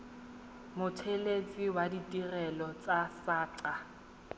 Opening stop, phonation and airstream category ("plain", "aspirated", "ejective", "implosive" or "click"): aspirated